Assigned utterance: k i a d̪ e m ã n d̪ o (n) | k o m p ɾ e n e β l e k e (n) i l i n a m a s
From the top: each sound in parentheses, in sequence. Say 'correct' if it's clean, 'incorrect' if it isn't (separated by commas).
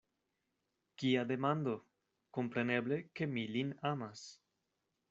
incorrect, incorrect